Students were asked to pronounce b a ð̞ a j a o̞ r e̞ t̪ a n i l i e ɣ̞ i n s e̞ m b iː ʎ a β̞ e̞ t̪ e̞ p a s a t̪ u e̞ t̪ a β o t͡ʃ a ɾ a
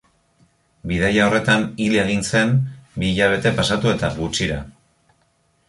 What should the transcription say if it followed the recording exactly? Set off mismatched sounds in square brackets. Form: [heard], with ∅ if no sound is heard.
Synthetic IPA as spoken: b [i] ð̞ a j a o̞ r e̞ t̪ a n i l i e ɣ̞ i n s e̞ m b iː ʎ a β̞ e̞ t̪ e̞ p a s a t̪ u e̞ t̪ a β [u] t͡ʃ [i] ɾ a